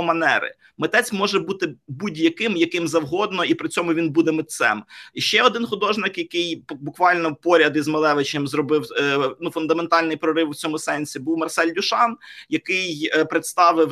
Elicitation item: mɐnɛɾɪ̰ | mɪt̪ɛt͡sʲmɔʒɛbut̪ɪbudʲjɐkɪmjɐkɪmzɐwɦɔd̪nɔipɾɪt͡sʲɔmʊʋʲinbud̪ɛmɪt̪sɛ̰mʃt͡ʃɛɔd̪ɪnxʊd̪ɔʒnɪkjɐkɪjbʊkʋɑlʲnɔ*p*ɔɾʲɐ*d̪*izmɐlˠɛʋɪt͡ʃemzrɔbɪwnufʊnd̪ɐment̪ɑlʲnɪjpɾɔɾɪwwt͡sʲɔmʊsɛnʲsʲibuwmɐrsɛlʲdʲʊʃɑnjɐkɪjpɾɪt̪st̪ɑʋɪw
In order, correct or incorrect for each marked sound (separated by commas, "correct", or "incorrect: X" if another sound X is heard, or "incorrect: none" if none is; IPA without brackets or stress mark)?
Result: correct, correct